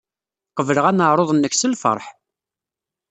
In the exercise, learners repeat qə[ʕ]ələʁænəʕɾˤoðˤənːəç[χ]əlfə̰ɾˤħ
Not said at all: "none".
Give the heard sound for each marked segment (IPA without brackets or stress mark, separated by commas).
v, s